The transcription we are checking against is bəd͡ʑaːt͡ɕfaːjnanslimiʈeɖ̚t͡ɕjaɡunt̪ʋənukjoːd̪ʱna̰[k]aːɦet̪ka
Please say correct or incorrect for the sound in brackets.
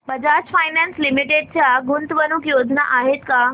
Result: incorrect